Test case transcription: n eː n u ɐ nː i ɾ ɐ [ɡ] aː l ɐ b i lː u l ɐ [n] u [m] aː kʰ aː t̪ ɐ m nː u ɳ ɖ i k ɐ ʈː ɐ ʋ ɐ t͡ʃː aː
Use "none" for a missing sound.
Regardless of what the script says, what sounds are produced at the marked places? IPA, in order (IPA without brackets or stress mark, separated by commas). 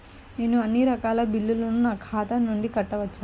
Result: k, n, n